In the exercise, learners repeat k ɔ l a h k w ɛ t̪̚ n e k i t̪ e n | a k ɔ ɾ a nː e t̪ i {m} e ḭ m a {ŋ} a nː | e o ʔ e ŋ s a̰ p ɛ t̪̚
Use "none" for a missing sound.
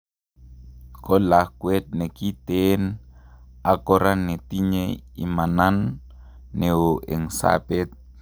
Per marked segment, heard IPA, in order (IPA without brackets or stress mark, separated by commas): ɲ, n